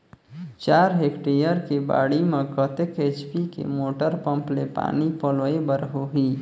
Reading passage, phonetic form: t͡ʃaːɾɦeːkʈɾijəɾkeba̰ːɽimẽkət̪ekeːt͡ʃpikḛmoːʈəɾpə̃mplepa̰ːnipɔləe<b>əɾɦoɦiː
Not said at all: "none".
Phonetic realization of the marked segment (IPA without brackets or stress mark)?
b